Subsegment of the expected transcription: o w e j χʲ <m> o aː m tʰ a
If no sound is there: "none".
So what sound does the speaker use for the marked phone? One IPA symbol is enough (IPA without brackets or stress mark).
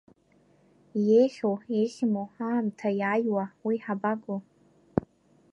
m